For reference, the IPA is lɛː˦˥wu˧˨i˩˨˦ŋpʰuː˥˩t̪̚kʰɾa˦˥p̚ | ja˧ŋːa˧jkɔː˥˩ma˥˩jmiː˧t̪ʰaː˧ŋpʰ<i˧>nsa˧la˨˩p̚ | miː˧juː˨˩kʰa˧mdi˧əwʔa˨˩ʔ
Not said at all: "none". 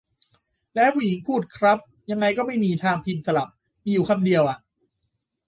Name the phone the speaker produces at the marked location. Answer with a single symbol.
i˧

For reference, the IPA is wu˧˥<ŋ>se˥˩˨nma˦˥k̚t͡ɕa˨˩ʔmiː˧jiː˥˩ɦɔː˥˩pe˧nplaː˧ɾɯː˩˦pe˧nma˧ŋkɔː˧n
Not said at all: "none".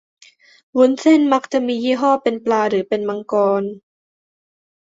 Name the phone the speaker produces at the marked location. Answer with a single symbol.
n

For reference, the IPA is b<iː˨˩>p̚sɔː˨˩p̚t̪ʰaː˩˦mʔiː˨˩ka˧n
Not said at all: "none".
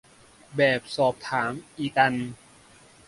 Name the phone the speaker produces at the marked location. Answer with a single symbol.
ɛː˨˩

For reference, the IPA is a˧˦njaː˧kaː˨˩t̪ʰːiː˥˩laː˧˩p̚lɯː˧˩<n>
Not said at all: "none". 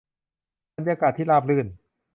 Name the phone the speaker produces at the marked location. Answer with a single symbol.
n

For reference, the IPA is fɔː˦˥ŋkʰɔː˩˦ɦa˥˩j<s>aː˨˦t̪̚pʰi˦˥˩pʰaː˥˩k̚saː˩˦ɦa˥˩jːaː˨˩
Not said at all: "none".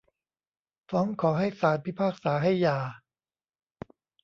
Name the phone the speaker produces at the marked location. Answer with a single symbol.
s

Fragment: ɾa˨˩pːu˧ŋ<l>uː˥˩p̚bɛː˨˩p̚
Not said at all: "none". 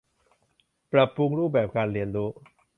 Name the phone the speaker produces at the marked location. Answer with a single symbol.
ɾ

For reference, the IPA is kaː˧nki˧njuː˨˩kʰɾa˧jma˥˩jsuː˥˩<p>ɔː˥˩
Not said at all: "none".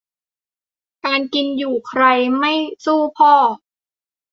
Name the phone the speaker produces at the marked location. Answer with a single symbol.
pʰ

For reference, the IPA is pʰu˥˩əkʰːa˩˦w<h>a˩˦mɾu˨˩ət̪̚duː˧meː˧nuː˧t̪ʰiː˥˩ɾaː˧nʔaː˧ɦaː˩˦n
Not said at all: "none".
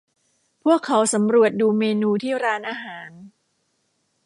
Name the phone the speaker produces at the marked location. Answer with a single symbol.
s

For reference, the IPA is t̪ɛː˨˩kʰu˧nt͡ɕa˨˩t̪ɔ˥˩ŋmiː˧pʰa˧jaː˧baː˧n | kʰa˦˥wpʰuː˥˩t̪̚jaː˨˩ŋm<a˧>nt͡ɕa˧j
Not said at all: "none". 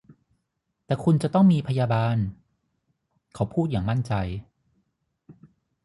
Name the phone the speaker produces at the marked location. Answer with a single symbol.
a˥˩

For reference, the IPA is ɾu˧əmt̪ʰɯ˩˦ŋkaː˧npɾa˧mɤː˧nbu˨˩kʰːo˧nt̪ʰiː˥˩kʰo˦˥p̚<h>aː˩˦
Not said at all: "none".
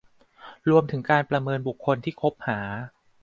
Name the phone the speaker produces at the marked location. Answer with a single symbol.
h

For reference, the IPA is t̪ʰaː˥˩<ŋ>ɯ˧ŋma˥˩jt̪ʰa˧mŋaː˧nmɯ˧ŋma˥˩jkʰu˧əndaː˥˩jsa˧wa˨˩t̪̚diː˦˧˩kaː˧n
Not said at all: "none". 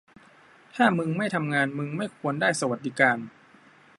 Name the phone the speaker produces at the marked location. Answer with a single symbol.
m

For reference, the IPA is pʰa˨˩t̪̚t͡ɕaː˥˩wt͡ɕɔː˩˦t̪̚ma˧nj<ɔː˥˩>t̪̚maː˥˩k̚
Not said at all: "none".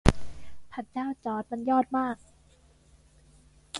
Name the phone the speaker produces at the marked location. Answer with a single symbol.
ɔː˥˩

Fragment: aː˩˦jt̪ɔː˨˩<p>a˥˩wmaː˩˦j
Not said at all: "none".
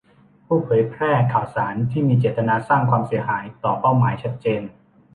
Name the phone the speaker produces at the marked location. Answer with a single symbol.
p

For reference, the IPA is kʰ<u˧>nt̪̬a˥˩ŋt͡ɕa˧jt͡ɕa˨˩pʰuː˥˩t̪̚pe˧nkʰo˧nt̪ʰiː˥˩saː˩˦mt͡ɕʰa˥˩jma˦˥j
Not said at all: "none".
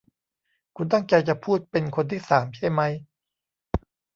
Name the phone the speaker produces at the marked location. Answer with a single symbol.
u˧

